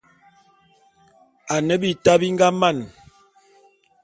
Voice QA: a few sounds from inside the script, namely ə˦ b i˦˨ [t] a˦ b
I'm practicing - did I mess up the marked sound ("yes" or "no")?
no